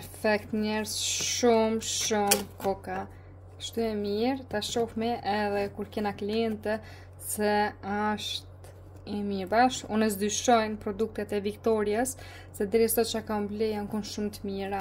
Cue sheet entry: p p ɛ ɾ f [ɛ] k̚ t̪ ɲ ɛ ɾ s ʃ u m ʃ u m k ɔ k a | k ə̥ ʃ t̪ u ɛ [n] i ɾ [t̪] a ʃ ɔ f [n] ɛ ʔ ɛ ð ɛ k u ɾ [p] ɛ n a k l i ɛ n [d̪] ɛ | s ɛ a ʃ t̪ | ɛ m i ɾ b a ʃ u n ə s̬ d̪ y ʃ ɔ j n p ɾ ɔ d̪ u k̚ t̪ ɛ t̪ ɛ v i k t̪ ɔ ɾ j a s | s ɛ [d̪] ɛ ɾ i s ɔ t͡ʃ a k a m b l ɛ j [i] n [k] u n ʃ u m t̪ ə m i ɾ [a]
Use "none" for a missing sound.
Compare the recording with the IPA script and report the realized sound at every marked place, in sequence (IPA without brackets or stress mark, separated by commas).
ɛ, m, t̪, m, k, t̪, d̪, a, k, a